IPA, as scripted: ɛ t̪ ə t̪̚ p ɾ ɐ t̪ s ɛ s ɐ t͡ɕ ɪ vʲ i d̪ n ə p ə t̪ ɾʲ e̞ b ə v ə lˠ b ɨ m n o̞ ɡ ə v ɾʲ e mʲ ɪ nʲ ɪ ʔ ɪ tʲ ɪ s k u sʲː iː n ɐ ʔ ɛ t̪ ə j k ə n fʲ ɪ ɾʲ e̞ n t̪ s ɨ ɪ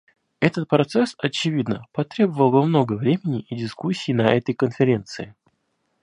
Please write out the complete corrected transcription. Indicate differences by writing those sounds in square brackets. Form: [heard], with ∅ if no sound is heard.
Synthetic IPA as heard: ɛ t̪ ə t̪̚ p ɾ ɐ t̪ s ɛ s ɐ t͡ɕ ɪ vʲ i d̪ n ə p [ɐ] t̪ ɾʲ e̞ b ə v ə lˠ b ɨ m n o̞ ɡ ə v ɾʲ e mʲ ɪ nʲ ɪ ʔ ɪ [dʲ] ɪ s k u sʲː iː n ɐ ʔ ɛ t̪ ə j k ə n fʲ ɪ ɾʲ e̞ n t̪ s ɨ ɪ